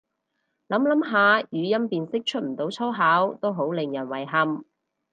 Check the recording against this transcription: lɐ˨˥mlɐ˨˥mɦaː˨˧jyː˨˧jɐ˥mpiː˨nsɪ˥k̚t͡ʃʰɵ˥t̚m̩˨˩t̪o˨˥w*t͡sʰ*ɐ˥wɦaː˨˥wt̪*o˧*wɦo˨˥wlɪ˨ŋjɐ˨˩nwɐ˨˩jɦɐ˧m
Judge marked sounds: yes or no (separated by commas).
yes, no